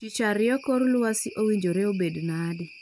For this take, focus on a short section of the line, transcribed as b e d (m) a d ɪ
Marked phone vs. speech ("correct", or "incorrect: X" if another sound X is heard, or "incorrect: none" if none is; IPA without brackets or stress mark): incorrect: n